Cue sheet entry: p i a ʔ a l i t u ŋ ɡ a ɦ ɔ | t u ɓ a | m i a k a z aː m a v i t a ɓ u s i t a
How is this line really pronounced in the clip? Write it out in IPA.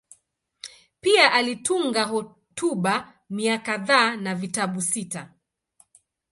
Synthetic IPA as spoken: p i a ʔ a l i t u ŋ ɡ a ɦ ɔ | t u ɓ a | m i a k a ð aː n a v i t a ɓ u s i t a